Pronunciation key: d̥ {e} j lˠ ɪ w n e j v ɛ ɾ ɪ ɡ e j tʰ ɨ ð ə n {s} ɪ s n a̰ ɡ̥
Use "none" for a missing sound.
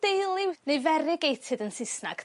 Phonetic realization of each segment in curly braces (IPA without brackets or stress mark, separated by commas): e, s